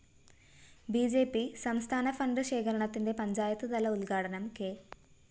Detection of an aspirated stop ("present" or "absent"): present